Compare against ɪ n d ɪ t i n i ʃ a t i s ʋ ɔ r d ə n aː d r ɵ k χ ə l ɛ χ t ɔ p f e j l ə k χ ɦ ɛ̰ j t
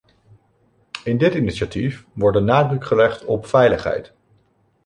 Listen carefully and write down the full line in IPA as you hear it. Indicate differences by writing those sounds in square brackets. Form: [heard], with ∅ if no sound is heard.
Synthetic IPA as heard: ɪ n d ɪ t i n i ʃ a t i [f] ʋ ɔ [ɹ] d ə n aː d r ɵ k χ ə l ɛ χ t ɔ p f [ɛ] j l ə [∅] χ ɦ ɛ̰ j t